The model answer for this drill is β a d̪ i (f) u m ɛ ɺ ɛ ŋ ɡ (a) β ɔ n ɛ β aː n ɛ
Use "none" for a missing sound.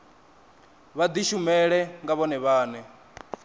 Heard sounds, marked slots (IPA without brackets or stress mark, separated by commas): ʃ, a